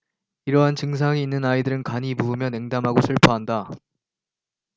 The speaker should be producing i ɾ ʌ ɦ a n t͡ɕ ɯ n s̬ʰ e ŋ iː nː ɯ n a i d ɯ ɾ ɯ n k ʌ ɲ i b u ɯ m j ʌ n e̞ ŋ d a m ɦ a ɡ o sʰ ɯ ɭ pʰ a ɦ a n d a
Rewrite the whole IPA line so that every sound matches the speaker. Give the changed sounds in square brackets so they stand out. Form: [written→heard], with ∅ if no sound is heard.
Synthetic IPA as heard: i ɾ ʌ ɦ a n t͡ɕ ɯ [n→ŋ] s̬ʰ [e→a] ŋ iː nː ɯ n a i d ɯ ɾ ɯ n k [ʌ→a] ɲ i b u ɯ m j ʌ n e̞ ŋ d a m ɦ a ɡ o sʰ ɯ ɭ pʰ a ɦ a n d a